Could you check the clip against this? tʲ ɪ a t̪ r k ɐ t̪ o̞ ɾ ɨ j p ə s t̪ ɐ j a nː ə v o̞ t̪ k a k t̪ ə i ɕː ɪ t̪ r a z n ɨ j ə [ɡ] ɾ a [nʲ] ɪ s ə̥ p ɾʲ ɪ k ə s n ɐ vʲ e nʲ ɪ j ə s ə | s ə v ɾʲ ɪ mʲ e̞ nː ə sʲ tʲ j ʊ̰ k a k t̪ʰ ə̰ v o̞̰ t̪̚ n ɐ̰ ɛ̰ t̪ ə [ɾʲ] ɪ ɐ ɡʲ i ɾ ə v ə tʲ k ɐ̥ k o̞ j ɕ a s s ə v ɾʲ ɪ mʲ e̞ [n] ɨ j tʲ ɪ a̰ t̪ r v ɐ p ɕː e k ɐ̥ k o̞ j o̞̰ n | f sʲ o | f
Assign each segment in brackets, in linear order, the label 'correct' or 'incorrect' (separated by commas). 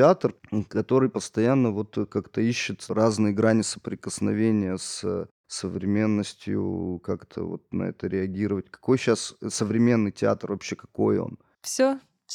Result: correct, correct, correct, incorrect